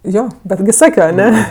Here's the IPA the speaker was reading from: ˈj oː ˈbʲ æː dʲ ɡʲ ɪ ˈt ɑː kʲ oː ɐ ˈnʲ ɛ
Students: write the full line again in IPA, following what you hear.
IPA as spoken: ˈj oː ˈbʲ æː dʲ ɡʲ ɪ ˈs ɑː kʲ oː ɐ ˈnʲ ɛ